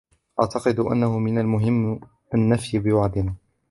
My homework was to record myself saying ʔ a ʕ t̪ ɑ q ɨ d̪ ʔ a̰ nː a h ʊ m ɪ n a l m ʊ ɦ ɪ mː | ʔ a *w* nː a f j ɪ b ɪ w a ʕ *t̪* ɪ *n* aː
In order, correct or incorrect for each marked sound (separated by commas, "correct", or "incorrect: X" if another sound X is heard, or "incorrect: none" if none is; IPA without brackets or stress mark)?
incorrect: none, incorrect: d̪, correct